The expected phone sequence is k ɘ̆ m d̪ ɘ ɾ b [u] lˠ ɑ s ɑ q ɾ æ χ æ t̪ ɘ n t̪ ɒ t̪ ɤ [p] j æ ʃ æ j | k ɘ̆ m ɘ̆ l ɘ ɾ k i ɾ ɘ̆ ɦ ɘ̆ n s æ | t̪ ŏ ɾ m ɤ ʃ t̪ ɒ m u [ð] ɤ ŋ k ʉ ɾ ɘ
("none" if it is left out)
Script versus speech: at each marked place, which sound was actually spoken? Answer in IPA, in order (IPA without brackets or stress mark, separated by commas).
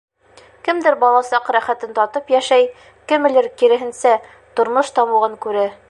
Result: ɒ, p, ʁ